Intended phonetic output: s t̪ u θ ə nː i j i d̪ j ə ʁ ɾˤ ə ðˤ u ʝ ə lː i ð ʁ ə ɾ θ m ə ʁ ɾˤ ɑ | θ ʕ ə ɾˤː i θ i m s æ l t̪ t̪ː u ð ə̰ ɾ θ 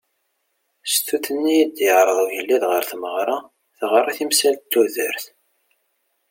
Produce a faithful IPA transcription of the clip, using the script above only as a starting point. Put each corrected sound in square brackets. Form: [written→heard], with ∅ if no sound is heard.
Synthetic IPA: s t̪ u θ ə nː i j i d̪ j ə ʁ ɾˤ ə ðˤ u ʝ ə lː i ð ʁ ə ɾ θ m ə ʁ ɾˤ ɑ | θ [ʕ→ʁ] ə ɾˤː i θ i m s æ l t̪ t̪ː u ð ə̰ ɾ θ